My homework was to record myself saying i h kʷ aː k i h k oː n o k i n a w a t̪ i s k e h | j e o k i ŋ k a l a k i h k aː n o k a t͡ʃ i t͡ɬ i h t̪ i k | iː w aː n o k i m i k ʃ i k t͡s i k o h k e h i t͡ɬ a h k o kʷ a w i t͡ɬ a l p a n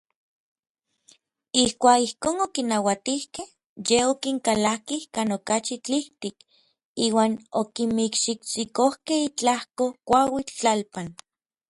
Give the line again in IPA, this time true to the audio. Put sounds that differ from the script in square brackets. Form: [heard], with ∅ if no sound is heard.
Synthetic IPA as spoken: i h kʷ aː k i h k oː n o k i n a w a t̪ i [h] k e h | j e o k i ŋ k a l a k i h k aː n o k a t͡ʃ i t͡ɬ i h t̪ i k | iː w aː n o k i m i k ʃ i k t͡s i k o h k e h i t͡ɬ a h k o kʷ a w i t͡ɬ a l p a n